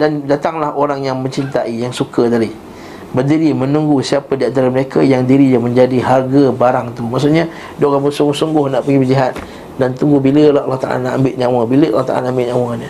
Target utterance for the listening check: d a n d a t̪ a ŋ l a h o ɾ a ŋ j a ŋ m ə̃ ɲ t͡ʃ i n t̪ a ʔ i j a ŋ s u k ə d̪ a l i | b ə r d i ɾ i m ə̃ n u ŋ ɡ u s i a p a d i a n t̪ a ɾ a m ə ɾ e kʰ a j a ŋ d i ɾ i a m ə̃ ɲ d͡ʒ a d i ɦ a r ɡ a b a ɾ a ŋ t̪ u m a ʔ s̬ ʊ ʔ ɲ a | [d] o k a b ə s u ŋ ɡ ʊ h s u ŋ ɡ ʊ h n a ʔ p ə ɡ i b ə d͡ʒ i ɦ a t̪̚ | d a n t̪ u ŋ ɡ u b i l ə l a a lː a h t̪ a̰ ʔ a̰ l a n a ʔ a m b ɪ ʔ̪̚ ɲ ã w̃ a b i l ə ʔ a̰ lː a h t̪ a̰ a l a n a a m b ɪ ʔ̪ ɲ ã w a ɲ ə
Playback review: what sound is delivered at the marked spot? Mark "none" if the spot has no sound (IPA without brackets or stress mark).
d